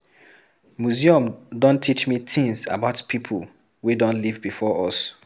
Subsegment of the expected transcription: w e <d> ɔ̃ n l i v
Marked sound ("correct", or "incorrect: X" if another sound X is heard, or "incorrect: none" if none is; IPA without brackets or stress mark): correct